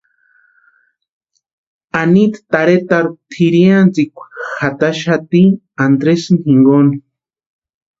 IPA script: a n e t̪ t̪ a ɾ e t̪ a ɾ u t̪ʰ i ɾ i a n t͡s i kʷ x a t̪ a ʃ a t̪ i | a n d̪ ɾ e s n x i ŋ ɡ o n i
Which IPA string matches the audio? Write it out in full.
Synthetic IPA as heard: a n i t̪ t̪ a ɾ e t̪ a ɾ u t̪ʰ i ɾ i a n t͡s i kʷ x a t̪ a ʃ a t̪ i | a n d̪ ɾ e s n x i ŋ ɡ o n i